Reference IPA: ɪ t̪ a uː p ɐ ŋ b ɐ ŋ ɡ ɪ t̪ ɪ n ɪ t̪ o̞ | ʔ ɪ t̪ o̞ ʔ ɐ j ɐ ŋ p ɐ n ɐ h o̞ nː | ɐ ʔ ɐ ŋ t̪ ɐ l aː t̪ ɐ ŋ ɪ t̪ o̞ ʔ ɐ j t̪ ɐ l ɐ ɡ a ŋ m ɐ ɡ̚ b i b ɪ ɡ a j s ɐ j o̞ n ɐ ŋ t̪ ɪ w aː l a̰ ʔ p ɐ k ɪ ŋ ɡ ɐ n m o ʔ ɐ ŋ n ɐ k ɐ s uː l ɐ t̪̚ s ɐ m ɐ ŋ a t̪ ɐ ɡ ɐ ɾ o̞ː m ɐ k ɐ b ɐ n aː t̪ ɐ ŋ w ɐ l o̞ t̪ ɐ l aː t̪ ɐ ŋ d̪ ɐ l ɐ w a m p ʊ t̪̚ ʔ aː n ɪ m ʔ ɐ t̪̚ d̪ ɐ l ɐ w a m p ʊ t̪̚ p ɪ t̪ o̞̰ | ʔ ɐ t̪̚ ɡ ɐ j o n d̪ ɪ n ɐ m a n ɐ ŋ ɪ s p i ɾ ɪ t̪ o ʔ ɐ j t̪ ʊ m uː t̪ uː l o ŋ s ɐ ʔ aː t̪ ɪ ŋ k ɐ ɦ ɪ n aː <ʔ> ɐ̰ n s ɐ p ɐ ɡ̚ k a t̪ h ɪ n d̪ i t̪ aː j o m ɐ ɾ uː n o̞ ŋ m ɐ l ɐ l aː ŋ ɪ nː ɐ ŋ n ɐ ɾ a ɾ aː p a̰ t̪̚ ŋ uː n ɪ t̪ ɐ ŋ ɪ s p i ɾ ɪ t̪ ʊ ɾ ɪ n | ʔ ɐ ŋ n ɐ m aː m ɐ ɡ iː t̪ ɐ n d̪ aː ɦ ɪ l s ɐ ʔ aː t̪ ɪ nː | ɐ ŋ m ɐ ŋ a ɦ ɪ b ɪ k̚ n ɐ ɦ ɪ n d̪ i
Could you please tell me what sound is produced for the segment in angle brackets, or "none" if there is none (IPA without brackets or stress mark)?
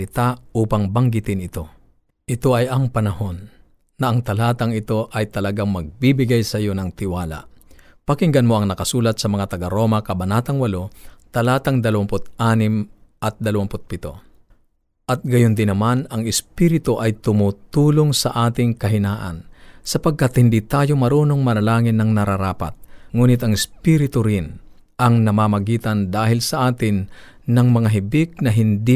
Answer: ʔ